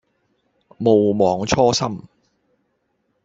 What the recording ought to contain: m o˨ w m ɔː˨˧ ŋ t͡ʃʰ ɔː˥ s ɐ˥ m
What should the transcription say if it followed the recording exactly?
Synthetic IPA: m o˨ w m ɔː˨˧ ŋ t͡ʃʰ ɔː˥ s ɐ˥ m